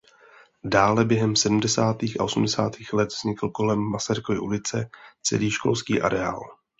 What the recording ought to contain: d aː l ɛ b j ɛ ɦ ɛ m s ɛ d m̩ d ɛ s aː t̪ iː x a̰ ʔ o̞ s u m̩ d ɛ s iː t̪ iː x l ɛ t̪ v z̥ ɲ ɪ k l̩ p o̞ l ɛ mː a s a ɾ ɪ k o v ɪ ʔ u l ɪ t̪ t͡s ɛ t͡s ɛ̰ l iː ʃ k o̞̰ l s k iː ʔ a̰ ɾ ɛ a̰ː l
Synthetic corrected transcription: d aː l ɛ b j ɛ ɦ ɛ m s ɛ d m̩ d ɛ s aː t̪ iː x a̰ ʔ o̞ s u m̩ d ɛ s aː t̪ iː x l ɛ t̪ v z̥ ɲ ɪ k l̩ k o̞ l ɛ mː a s a ɾ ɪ k o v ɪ ʔ u l ɪ t͡s ɛ t͡s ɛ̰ l iː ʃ k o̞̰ l s k iː ʔ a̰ ɾ ɛ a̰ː l